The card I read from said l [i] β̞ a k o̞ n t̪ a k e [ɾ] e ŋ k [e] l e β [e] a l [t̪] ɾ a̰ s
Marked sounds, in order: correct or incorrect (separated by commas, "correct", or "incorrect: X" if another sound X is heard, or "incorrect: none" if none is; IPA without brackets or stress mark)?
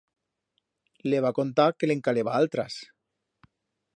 incorrect: e, incorrect: l, incorrect: a, incorrect: a, correct